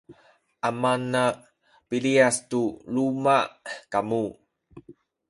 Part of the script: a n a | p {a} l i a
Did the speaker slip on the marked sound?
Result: yes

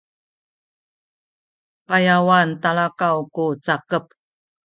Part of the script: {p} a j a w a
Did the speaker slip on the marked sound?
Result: no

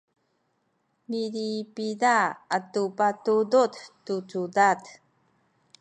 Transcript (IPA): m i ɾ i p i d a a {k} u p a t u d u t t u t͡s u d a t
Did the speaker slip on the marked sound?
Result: yes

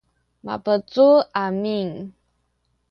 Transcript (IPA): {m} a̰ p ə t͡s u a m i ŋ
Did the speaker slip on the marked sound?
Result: no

